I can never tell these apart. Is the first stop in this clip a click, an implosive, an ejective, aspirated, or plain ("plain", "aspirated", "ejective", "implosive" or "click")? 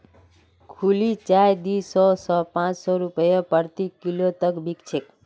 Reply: aspirated